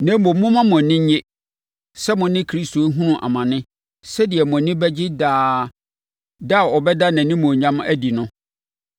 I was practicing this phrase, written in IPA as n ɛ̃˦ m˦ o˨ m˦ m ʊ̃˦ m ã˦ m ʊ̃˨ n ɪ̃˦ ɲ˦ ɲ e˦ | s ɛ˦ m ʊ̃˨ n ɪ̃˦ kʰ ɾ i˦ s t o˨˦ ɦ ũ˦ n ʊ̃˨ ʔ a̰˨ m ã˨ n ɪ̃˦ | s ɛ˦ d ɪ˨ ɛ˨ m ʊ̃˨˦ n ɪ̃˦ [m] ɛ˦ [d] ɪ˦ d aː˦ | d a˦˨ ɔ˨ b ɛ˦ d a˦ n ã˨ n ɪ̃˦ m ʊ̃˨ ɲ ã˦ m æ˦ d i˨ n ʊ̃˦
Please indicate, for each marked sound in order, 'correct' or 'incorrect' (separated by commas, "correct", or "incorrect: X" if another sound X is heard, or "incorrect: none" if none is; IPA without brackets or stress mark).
incorrect: b, incorrect: d͡ʑ